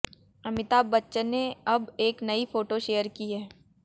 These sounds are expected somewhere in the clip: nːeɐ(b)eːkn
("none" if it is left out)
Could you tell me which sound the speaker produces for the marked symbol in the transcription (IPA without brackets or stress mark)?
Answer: b